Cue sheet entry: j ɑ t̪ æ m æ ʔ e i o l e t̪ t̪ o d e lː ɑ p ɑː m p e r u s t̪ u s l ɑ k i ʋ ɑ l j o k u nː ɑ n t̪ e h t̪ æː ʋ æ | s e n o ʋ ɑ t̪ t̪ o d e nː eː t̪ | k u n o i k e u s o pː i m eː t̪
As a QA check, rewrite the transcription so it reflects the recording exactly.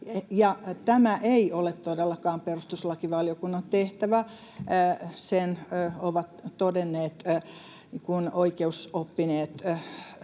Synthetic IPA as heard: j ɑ t̪ æ m æ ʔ e i o l e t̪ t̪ o d e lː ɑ k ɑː m p e r u s t̪ u s l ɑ k i ʋ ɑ l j o k u nː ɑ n t̪ e h t̪ æ ʋ æ | s e n o ʋ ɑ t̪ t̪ o d e nː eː t̪ | k u n o i k e u s o pː i n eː t̪